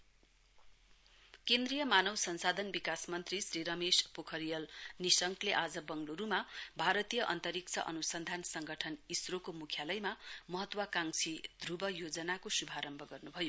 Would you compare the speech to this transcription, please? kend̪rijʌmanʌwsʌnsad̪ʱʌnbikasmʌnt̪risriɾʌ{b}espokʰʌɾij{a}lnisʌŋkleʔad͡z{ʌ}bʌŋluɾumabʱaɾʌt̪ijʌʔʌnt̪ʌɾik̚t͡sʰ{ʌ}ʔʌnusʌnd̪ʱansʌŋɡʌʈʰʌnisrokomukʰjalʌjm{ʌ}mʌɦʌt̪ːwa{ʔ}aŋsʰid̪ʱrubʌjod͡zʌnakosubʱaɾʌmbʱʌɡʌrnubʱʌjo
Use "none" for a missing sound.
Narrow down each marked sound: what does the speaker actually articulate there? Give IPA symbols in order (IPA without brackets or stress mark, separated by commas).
m, ʌ, ʌ, ʌ, a, k